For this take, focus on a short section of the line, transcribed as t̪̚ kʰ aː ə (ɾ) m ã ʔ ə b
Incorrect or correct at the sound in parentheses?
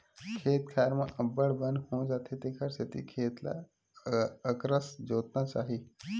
correct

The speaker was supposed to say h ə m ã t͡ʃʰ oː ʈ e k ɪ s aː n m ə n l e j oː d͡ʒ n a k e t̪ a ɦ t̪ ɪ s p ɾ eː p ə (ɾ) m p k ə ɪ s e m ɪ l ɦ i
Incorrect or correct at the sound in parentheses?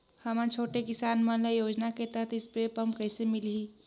incorrect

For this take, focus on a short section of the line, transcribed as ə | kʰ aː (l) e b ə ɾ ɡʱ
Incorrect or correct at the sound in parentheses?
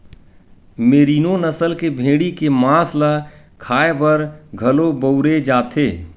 incorrect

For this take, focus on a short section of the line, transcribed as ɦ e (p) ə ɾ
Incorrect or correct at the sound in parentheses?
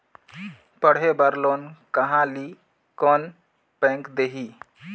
incorrect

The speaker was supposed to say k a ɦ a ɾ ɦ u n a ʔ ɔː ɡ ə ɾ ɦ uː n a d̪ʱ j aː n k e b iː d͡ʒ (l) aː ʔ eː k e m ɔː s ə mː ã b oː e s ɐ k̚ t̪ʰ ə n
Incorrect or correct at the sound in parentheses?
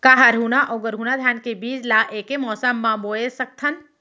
correct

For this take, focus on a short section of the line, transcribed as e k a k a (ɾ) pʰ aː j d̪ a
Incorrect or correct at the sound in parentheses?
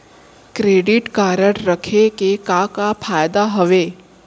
incorrect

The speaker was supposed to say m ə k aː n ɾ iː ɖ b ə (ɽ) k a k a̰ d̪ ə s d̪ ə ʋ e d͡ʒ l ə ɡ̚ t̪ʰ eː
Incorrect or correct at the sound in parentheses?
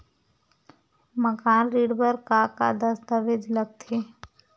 incorrect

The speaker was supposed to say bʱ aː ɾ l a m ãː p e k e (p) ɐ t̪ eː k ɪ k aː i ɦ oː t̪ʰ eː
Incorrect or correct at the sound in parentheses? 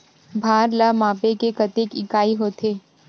incorrect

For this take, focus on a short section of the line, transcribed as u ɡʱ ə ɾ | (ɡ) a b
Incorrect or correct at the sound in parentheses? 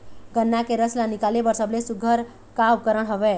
incorrect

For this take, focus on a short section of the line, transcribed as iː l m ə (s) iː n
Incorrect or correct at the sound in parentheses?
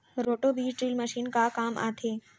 incorrect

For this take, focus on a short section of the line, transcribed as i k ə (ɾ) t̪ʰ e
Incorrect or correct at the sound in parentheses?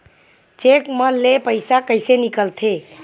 incorrect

